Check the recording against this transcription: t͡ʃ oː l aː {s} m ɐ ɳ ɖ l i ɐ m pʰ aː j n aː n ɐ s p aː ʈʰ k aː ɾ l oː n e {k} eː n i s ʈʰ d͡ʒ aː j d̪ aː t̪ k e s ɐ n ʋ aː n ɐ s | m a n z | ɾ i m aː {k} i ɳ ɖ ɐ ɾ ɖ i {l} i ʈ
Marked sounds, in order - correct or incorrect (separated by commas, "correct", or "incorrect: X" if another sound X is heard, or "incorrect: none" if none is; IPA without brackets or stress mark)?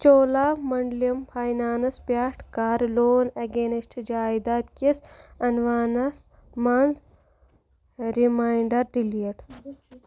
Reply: incorrect: none, incorrect: ɡ, incorrect: none, correct